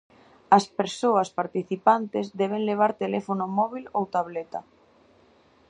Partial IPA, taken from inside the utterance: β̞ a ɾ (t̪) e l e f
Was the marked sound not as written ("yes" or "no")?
no